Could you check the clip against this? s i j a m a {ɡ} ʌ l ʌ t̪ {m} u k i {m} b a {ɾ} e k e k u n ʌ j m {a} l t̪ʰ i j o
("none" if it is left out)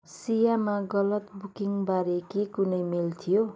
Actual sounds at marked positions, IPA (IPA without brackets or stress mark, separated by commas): ɡ, b, ŋ, ɾ, i